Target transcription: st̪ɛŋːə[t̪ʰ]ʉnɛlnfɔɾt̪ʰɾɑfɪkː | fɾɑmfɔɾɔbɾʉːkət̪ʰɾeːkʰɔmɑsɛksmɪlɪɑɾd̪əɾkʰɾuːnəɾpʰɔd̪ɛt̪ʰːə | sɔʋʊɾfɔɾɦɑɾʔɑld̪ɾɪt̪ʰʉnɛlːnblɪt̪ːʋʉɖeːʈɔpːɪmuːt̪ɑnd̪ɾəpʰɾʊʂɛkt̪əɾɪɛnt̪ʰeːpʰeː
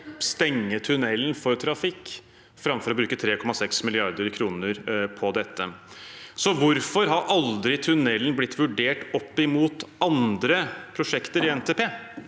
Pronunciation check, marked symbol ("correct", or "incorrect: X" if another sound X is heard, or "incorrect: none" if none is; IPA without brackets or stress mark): correct